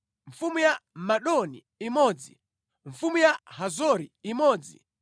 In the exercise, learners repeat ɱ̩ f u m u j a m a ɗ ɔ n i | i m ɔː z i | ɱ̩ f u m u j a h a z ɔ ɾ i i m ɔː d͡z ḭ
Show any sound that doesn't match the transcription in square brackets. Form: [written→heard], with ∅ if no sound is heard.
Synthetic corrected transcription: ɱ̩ f u m u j a m a ɗ ɔ n i | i m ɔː [z→d͡z] i | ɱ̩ f u m u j a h a z ɔ ɾ i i m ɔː d͡z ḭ